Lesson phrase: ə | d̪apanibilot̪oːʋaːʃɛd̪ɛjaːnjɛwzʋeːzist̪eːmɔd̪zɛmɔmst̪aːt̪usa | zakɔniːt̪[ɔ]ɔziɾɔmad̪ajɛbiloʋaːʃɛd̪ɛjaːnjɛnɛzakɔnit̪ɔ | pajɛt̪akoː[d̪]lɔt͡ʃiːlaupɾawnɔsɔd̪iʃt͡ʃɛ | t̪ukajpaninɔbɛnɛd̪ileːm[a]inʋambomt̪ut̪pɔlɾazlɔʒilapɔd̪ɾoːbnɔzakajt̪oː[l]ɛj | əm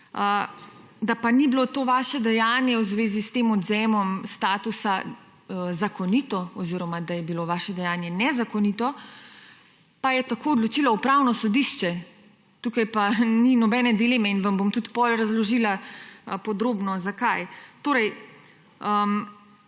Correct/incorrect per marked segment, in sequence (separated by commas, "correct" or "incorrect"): correct, correct, incorrect, incorrect